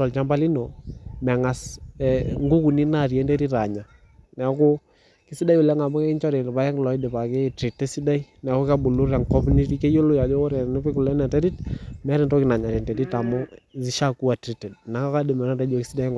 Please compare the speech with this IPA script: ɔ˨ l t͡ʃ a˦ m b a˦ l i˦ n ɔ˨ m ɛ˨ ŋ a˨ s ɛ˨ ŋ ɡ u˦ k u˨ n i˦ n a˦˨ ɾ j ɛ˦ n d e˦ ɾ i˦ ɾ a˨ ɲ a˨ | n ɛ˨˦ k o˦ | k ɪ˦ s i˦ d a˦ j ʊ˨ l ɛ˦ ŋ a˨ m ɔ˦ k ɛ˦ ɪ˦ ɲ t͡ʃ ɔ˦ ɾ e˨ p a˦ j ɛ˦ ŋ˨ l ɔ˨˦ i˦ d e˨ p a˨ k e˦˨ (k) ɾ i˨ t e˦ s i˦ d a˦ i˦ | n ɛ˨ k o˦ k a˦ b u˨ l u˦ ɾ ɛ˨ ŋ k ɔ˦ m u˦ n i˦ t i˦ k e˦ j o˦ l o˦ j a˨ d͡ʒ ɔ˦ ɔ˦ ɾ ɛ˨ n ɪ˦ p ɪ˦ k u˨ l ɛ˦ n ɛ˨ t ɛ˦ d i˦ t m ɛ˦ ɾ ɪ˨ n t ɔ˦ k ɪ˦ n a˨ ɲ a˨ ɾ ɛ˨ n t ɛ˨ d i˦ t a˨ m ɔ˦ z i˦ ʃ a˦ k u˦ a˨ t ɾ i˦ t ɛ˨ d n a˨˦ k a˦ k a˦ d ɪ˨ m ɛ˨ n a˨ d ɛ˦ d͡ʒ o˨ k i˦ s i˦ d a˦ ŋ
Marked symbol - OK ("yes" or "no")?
no